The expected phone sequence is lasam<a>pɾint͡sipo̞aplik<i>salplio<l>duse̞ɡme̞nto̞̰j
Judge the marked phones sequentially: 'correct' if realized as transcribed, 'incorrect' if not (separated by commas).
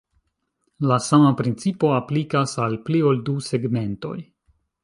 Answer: correct, incorrect, correct